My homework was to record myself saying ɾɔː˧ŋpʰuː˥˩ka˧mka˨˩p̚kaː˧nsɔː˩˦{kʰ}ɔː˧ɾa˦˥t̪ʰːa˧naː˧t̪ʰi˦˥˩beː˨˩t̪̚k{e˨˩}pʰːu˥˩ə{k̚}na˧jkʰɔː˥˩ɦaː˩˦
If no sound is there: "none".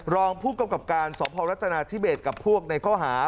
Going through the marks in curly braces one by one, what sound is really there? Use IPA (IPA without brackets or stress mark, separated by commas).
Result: pʰ, a˨˩, k̚